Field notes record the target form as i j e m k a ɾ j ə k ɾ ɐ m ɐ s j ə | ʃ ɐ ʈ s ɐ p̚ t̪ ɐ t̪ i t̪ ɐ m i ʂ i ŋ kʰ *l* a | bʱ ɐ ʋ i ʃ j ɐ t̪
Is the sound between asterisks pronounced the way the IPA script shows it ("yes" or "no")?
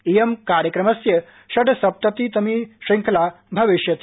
yes